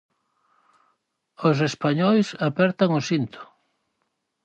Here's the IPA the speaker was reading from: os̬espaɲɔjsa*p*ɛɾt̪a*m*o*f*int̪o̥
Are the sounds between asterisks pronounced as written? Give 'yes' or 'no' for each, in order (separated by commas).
yes, no, no